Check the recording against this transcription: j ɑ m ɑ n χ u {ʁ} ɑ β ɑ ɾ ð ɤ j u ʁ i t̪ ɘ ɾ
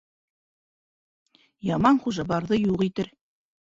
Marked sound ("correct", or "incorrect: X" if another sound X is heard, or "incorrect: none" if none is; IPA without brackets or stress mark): incorrect: ʒ